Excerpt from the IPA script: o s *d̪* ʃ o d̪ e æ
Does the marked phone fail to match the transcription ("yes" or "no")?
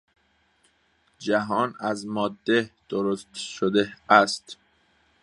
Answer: yes